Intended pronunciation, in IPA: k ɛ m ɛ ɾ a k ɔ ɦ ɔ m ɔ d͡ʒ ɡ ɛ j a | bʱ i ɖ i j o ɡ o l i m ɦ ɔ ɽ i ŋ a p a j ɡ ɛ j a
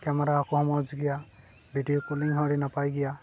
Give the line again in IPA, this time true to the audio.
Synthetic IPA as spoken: k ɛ m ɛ ɾ a k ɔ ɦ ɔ m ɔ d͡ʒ ɡ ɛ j a | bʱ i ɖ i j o k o l i ŋ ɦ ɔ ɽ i n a p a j ɡ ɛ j a